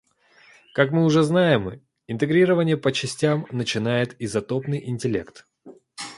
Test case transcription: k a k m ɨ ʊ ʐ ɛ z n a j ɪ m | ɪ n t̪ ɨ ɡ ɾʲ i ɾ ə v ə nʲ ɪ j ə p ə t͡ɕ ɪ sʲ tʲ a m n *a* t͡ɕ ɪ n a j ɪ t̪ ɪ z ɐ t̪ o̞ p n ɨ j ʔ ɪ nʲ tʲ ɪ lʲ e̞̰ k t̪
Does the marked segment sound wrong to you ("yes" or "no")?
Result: yes